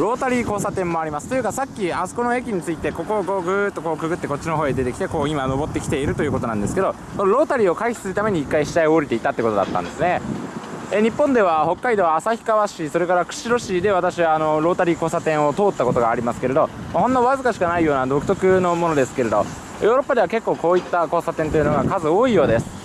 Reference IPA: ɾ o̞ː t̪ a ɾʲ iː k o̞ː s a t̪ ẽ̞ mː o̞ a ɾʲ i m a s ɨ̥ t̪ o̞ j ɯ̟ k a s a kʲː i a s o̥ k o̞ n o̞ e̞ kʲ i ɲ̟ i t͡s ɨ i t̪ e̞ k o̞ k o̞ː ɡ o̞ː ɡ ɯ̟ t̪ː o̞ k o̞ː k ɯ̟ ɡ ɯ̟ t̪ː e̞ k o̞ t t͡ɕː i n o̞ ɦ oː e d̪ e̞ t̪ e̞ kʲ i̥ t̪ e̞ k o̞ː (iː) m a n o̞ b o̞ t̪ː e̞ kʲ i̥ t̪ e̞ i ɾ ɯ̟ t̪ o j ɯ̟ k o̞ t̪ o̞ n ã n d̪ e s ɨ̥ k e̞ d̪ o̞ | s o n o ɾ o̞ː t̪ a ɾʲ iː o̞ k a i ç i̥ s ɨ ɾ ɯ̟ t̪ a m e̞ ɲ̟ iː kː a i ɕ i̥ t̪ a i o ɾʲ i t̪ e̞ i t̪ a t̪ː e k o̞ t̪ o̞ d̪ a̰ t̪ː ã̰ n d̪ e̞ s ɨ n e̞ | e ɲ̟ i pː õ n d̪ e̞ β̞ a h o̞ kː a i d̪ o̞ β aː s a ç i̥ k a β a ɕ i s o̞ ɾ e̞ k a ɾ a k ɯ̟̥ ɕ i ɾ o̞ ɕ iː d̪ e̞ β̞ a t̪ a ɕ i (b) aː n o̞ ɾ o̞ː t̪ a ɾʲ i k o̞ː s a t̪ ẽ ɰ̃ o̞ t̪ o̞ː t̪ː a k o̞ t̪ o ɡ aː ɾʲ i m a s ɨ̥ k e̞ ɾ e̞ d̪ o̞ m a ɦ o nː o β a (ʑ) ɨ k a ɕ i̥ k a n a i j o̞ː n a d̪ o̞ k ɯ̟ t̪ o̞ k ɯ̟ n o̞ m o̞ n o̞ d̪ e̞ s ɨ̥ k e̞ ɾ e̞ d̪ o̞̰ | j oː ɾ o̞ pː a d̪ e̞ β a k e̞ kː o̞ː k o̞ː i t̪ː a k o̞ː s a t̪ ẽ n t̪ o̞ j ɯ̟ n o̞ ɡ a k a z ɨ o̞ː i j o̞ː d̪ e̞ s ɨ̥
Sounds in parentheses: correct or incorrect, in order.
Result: incorrect: i, incorrect: β, incorrect: z

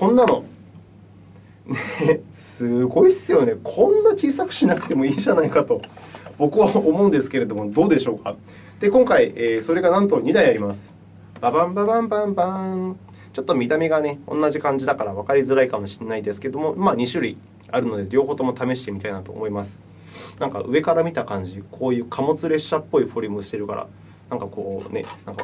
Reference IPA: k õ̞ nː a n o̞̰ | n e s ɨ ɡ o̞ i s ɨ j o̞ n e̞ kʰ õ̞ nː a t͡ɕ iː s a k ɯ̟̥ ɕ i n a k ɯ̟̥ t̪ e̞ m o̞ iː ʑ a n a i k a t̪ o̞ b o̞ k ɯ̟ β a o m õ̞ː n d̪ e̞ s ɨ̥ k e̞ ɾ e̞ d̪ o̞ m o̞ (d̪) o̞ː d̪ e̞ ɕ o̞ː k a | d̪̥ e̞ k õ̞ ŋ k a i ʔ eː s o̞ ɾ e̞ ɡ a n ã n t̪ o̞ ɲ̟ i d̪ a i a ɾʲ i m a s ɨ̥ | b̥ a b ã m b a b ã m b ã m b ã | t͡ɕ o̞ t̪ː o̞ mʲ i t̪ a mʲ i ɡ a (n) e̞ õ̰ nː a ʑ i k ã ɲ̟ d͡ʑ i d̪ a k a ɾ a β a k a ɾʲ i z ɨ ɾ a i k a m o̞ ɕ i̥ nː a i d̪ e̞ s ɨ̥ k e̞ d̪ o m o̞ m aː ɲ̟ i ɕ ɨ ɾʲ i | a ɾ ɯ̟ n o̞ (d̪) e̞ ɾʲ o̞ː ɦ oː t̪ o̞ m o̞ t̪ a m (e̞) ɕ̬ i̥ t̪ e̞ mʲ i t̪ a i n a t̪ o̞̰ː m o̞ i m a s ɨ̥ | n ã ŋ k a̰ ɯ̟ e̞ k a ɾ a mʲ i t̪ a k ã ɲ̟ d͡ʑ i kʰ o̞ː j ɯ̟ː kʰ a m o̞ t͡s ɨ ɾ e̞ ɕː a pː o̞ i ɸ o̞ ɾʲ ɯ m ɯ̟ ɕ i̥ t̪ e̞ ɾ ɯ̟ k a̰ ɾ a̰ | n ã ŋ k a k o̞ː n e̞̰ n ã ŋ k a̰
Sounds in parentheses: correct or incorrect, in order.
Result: correct, correct, correct, correct

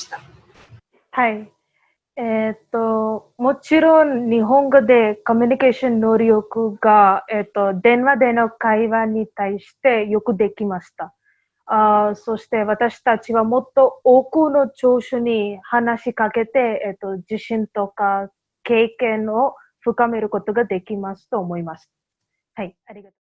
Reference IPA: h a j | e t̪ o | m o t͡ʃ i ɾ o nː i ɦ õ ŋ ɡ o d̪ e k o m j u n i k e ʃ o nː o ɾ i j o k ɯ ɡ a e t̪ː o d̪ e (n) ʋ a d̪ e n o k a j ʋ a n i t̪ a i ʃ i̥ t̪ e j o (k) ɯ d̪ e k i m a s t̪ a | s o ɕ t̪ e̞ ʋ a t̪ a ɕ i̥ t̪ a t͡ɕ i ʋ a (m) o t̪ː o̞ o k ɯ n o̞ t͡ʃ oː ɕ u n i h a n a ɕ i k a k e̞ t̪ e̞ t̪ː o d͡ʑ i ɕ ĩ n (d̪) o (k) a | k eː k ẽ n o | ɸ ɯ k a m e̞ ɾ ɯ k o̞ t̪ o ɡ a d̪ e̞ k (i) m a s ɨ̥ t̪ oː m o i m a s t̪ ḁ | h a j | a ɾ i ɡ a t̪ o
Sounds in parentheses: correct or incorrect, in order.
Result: correct, correct, correct, incorrect: t̪, correct, correct

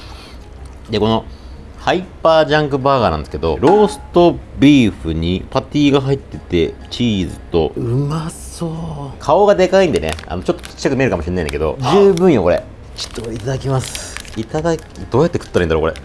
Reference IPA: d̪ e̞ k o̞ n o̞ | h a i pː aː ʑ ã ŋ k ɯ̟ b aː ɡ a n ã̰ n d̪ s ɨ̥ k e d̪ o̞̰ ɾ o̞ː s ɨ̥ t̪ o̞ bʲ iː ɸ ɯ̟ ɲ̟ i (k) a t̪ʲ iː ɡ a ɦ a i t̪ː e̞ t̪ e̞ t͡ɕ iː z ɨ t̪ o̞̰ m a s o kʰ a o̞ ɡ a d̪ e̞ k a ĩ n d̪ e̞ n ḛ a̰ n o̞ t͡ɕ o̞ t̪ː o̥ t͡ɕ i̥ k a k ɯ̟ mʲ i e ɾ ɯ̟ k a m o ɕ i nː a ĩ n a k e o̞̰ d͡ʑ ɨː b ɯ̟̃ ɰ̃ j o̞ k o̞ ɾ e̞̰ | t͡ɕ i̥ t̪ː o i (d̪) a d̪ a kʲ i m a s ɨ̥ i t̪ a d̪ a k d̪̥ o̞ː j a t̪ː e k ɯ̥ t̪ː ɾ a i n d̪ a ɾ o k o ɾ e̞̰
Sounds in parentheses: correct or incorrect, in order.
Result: incorrect: p, incorrect: t̪

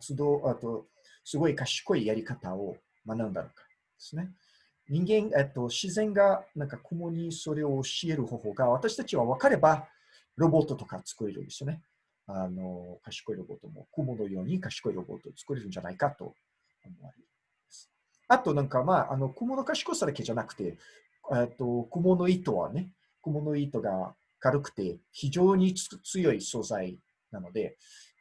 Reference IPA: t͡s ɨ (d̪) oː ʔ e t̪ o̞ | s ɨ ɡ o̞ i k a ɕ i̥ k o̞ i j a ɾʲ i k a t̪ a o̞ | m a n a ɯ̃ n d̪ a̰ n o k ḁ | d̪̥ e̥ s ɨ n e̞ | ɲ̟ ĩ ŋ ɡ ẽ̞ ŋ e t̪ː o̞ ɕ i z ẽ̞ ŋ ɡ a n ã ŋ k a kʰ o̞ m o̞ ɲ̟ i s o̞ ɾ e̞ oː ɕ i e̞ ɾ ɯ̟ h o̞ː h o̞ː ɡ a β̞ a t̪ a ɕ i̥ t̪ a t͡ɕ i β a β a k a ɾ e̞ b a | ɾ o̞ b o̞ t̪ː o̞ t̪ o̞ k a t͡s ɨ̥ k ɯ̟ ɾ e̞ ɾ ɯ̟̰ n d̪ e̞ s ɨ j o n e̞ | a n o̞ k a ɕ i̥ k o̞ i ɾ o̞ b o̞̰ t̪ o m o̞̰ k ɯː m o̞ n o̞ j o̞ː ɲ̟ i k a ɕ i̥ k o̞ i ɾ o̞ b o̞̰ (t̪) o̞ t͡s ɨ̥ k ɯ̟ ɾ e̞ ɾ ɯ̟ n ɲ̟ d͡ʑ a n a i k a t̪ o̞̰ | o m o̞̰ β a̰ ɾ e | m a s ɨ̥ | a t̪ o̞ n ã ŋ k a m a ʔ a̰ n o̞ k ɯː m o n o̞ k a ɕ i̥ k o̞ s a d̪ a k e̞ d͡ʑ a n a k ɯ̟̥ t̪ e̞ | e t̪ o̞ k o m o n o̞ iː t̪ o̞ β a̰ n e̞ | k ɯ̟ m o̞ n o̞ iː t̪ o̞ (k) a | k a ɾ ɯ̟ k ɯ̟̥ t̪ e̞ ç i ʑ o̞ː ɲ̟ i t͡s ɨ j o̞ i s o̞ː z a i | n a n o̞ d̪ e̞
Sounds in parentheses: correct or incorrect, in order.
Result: correct, correct, incorrect: ɡ

